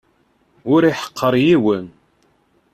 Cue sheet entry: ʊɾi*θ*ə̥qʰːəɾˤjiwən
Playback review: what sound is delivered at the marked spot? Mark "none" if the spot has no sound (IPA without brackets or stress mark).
ħ